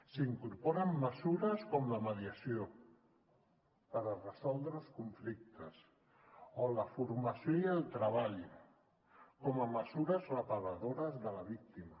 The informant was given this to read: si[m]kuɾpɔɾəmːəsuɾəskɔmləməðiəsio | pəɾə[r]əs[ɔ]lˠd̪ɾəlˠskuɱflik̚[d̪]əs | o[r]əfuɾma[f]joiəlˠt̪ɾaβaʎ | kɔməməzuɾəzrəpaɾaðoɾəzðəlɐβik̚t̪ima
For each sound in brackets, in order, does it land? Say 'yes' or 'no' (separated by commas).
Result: no, yes, yes, no, no, no